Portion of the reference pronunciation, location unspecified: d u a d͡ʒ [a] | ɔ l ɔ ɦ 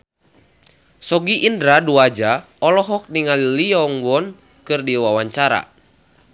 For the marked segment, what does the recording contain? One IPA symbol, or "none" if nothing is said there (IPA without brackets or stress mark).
a